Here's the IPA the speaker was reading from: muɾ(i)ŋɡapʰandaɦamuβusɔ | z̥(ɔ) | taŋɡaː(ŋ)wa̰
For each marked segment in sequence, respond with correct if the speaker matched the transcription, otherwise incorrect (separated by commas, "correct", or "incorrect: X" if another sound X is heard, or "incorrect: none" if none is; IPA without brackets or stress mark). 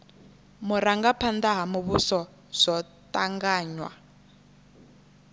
incorrect: a, correct, incorrect: ɲ